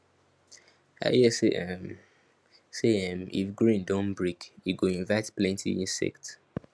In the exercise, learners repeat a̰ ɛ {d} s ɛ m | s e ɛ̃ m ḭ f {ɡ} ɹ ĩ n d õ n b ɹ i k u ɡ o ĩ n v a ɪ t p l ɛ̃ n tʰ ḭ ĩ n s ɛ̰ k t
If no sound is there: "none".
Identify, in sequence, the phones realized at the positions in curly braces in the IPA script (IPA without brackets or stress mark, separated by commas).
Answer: none, ɡ